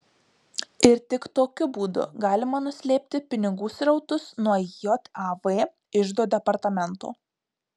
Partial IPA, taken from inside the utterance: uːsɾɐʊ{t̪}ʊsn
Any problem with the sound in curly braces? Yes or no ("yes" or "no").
no